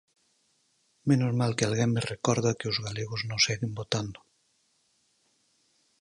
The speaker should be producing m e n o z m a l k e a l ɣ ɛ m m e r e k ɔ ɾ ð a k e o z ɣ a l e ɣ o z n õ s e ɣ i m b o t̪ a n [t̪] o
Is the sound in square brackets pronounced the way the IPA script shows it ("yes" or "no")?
no